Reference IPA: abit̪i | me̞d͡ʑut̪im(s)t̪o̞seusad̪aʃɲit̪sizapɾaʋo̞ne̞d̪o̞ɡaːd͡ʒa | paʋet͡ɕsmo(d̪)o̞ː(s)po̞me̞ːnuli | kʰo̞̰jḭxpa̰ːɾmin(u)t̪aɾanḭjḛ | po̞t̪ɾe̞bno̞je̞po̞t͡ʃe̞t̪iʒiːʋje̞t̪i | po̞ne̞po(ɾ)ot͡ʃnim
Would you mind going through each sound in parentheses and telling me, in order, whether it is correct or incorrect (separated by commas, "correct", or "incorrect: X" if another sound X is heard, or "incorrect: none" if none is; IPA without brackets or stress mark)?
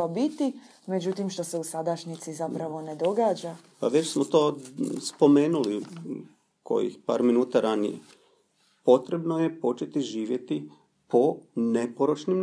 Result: incorrect: ʃ, incorrect: t̪, correct, incorrect: uː, correct